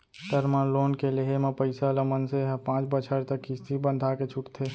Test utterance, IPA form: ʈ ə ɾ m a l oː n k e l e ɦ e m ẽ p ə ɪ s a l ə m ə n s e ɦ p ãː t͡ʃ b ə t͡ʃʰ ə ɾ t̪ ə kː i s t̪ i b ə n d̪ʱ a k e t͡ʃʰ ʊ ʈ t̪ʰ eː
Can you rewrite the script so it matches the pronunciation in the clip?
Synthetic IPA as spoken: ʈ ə ɾ m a l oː n k e l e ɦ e m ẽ p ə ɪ s a l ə m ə n s e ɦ p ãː t͡ʃ b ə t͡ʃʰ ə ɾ t̪ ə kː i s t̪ i b ə n d̪ʱ a k e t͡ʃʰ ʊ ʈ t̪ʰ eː